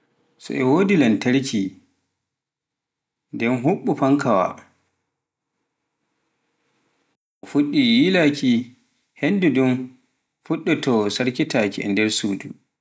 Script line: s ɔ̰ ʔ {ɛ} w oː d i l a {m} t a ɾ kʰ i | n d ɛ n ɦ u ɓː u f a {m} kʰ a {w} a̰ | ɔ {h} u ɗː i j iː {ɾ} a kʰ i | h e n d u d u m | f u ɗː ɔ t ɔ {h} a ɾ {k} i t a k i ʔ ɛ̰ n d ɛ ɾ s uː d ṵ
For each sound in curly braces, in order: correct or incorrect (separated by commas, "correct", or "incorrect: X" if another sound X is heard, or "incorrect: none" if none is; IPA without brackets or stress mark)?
correct, incorrect: n, incorrect: ŋ, correct, incorrect: f, incorrect: l, incorrect: s, correct